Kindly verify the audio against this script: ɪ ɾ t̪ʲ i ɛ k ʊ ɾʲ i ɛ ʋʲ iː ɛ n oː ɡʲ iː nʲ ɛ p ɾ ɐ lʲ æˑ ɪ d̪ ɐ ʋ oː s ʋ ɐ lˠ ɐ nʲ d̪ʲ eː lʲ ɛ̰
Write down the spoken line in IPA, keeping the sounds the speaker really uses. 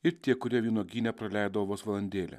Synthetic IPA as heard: ɪ ɾ t̪ʲ i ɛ k ʊ ɾʲ i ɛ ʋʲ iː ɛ n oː ɡʲ iː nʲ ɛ p ɾ ɐ lʲ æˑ ɪ d̪ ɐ ʋ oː s ʋ ɐ lˠ ɐ nʲ d̪ʲ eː lʲ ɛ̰